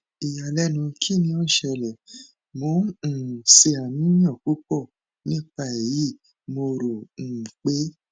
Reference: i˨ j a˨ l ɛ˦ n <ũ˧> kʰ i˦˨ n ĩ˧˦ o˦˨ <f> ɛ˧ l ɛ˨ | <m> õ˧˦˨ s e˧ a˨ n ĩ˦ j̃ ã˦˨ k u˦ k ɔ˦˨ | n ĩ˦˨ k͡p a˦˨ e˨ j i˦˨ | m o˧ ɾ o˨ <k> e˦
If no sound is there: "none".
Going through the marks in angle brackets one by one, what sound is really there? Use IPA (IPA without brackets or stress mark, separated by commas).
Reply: ũ˧, ʃ, m, k͡p